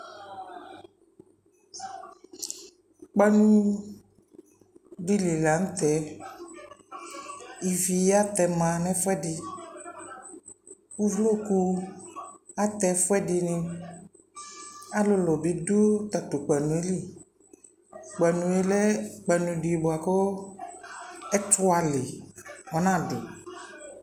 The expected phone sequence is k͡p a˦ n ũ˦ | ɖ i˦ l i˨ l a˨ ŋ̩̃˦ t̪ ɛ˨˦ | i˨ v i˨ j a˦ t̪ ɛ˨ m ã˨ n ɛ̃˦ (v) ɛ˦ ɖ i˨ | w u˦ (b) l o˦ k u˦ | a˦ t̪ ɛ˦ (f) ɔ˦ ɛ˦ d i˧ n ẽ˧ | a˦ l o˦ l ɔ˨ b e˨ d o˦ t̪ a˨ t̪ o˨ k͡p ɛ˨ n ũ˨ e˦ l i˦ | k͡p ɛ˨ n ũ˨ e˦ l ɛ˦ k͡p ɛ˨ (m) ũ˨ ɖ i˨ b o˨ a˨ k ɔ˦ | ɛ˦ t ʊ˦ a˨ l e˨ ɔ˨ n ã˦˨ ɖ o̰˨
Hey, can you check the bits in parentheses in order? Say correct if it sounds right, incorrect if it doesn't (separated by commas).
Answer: incorrect, incorrect, correct, incorrect